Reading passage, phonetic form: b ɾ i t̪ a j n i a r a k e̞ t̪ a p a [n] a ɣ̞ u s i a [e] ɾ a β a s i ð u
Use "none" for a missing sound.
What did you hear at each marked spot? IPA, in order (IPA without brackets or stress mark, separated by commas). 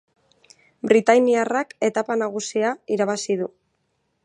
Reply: n, i